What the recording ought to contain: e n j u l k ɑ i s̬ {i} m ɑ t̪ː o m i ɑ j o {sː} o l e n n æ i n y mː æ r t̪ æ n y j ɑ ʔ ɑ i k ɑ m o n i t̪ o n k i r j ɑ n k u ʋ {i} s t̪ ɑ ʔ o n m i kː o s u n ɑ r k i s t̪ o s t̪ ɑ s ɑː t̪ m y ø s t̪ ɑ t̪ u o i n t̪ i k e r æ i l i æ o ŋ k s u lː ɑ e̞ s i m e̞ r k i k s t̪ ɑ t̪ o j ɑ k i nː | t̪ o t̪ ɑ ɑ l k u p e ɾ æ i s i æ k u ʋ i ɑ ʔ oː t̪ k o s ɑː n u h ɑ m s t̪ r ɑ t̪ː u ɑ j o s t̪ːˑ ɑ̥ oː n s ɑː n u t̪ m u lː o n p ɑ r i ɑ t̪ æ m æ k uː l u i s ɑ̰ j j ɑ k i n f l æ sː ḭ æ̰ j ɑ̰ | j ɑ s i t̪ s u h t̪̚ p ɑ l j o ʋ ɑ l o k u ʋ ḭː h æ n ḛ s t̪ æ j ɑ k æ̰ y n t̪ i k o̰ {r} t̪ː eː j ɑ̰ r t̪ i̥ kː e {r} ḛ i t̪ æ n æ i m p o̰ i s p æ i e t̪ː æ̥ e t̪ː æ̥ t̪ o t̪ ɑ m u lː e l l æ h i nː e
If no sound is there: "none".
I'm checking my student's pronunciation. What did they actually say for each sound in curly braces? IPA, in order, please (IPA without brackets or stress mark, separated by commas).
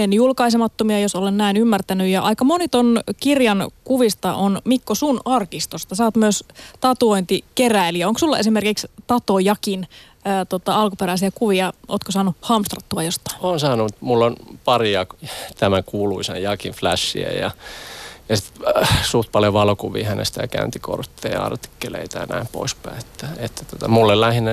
e, s, i, r, l